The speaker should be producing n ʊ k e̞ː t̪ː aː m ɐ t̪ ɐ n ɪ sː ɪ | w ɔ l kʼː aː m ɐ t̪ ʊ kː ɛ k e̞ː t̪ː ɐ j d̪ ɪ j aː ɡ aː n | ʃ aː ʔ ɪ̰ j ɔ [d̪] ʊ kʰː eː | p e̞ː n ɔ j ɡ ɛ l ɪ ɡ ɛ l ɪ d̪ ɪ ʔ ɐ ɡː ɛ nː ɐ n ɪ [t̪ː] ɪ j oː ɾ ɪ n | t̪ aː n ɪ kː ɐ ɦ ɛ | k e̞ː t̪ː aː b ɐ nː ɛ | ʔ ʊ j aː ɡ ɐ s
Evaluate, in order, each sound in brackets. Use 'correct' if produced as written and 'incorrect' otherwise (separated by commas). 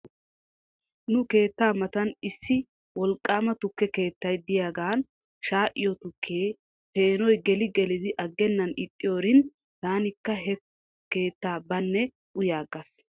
incorrect, incorrect